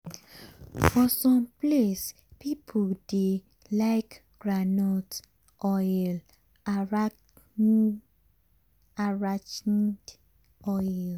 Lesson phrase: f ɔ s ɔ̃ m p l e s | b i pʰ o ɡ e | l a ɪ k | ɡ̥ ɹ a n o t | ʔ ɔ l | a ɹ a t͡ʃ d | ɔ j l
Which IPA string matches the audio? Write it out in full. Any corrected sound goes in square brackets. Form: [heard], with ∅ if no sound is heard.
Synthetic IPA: f ɔ s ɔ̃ m p l e s | [p] i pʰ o [d] e | l a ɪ k | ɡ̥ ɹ a n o t | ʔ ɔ l | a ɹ a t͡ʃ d | ɔ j l